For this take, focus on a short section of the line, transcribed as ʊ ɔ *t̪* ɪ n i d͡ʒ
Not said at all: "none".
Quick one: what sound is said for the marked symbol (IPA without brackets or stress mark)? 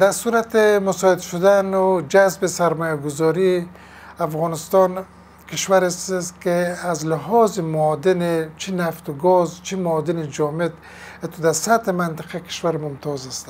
d̪